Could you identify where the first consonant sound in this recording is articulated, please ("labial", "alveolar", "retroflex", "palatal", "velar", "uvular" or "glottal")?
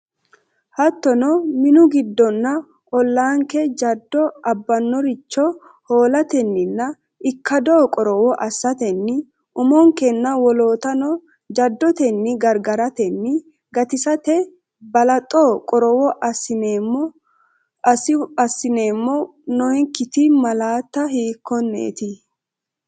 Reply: glottal